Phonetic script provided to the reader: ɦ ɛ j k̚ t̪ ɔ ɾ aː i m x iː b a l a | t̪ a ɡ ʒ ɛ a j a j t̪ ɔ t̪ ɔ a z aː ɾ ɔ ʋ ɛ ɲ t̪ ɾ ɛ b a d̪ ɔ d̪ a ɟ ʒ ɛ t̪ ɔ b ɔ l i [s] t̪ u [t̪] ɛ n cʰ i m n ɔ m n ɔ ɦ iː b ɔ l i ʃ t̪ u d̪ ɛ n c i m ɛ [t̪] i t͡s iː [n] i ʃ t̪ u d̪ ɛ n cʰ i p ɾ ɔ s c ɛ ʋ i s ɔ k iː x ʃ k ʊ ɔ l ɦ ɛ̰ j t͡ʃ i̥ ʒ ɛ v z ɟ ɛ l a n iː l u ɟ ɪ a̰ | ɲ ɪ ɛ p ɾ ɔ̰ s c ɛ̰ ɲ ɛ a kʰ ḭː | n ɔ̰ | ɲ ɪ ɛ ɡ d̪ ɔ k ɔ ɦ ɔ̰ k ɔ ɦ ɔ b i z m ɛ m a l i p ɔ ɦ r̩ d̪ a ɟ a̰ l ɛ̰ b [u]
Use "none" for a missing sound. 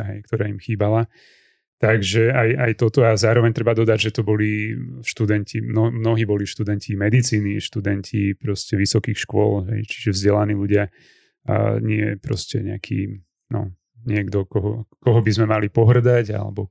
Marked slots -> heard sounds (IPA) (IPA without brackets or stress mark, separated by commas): ʃ, d̪, d̪, n, ɔ